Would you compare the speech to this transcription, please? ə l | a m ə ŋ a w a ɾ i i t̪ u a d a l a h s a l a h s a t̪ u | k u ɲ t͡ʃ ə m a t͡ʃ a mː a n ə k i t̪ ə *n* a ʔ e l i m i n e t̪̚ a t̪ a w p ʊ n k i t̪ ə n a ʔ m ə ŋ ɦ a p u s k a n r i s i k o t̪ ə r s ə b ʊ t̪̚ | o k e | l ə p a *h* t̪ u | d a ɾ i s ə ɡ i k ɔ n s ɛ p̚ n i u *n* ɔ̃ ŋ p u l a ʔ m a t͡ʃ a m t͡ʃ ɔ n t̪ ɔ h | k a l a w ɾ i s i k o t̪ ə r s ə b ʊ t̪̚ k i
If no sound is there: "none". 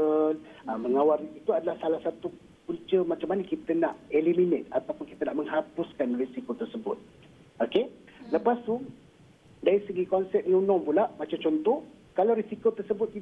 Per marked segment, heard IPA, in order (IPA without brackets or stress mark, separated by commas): n, s, n